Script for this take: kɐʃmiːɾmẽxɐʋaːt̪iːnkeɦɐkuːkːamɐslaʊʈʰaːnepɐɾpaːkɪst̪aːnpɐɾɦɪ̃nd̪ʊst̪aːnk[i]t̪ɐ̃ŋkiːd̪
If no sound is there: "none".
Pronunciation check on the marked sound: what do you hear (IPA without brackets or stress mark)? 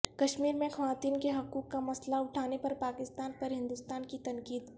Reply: i